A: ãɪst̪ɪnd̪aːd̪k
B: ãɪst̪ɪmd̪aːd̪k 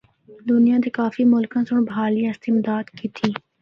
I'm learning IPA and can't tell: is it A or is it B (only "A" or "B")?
B